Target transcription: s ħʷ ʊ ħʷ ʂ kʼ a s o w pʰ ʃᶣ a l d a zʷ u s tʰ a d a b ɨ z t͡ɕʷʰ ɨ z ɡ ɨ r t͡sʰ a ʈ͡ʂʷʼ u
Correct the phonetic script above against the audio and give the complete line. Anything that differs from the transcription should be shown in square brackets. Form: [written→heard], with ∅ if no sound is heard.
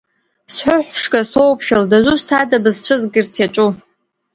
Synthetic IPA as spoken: s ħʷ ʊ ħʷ ʂ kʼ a s o w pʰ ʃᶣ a l d a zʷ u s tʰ a d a b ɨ z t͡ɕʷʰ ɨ z ɡ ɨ r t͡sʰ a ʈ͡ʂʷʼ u